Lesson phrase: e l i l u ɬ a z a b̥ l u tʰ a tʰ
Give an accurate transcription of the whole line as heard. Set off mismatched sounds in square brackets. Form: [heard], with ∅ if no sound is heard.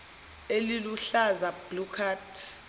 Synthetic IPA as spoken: e l i l u ɬ a z a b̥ l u [kʰ] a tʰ